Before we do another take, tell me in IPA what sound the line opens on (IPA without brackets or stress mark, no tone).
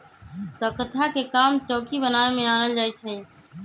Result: t̪